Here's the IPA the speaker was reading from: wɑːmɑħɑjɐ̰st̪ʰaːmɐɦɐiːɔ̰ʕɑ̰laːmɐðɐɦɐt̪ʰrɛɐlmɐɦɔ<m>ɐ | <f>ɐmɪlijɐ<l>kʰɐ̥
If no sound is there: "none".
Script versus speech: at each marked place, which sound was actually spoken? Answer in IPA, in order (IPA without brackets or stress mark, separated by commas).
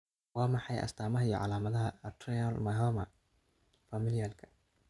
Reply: m, f, l